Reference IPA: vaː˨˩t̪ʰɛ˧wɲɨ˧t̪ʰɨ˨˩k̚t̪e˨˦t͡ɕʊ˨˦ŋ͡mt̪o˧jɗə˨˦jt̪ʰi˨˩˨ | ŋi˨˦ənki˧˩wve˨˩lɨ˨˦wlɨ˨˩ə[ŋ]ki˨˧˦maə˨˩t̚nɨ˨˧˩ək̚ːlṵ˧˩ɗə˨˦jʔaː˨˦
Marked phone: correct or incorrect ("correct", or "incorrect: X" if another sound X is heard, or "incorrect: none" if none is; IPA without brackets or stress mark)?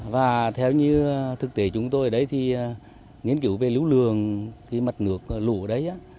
correct